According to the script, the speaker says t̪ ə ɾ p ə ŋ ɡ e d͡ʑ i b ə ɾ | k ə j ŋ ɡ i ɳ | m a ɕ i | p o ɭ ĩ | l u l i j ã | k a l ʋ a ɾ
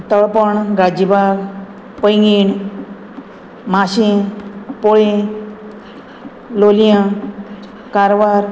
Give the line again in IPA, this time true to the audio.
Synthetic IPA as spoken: t̪ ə ɭ p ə ɳ ɡ a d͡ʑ i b a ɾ | p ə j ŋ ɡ i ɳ | m a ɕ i | p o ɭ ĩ | l o l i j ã | k a ɾ ʋ a ɾ